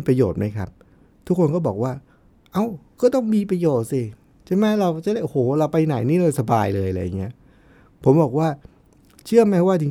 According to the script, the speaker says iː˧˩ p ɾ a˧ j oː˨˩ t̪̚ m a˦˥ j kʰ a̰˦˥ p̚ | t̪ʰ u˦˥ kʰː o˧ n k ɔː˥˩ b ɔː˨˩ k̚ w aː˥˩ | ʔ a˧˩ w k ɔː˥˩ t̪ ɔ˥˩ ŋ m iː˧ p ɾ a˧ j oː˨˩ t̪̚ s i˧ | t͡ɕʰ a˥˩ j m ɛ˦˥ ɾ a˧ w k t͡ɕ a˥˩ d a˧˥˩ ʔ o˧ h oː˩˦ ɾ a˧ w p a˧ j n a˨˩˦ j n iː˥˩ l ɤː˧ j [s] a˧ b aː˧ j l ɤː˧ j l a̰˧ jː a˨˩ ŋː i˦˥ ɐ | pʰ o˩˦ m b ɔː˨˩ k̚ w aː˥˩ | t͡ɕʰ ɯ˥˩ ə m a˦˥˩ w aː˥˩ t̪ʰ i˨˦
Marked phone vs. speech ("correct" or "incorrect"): correct